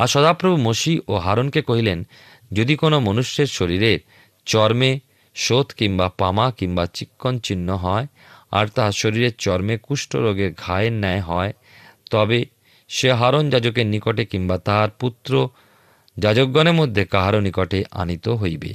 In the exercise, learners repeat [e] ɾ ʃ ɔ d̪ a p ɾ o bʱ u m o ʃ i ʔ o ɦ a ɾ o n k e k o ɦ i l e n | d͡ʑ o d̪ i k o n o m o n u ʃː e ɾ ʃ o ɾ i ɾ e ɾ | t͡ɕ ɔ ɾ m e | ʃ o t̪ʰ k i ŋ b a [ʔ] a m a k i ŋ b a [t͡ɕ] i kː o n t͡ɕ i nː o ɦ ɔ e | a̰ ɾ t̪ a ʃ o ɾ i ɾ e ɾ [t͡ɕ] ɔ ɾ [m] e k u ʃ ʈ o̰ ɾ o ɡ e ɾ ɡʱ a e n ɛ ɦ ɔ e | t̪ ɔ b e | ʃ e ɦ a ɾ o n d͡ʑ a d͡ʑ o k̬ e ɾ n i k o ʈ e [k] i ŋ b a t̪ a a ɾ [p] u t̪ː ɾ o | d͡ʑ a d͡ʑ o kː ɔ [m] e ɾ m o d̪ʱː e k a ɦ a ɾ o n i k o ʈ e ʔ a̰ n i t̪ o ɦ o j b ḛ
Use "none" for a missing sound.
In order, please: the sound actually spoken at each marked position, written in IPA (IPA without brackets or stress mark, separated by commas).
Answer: a, p, t͡ɕ, t͡ɕ, m, k, p, n